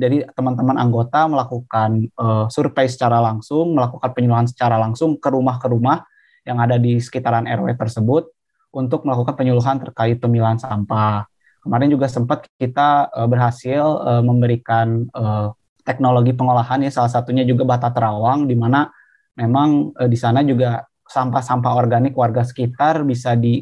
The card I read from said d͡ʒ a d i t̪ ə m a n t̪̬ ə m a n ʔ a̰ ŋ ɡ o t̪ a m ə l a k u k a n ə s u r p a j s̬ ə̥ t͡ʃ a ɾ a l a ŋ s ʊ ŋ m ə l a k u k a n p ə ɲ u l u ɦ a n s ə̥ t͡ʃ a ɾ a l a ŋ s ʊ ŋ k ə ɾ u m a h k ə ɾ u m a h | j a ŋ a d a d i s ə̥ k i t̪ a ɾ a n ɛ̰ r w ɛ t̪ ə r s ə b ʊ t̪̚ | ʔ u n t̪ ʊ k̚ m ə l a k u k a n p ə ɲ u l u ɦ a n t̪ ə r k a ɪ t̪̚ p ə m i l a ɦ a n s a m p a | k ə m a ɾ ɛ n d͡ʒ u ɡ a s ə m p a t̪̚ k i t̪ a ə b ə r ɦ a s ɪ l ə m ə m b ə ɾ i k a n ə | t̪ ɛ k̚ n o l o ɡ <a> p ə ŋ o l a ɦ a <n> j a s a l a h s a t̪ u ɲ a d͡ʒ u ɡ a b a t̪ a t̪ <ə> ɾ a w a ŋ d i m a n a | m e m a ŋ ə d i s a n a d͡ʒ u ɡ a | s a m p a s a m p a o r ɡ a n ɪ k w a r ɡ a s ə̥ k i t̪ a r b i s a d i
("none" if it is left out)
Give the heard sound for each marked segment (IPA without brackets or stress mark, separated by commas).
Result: i, n, ə